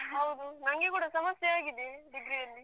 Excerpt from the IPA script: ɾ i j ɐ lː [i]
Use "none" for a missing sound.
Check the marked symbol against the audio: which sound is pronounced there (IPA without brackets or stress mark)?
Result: i